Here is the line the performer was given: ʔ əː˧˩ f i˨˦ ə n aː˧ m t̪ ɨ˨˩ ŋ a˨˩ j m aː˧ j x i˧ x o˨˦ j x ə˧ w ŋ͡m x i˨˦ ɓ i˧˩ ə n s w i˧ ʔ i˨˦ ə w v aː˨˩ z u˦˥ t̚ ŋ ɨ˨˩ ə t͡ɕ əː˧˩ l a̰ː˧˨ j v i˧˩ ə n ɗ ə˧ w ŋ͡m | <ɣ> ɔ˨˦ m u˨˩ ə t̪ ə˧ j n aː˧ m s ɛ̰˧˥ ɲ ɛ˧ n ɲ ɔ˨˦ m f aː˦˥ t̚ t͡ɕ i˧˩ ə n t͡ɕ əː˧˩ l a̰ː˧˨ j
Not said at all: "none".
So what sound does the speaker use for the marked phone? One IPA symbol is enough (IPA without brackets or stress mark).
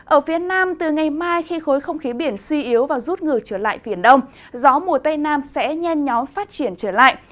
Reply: z